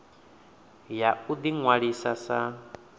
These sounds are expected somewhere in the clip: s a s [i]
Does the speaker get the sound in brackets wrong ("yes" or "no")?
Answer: yes